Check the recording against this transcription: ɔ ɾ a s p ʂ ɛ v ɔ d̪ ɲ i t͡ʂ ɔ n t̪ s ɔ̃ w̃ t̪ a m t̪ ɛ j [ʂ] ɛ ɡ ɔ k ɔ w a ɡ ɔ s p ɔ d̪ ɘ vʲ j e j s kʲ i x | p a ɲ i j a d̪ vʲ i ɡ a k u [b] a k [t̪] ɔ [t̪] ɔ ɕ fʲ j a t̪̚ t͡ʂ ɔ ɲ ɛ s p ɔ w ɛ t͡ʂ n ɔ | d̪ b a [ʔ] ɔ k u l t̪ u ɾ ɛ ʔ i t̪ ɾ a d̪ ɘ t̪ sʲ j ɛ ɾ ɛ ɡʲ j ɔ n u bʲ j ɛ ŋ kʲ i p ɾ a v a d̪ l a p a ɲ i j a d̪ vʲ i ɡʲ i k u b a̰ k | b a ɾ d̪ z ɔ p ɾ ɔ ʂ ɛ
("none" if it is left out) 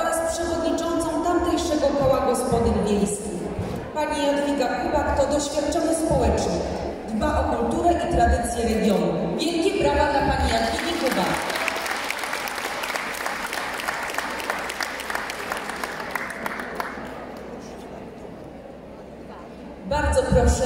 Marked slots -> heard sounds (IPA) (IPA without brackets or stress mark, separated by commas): ʂ, b, t̪, d̪, ʔ